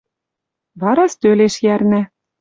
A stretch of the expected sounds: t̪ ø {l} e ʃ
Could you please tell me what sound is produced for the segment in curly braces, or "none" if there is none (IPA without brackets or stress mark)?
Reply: l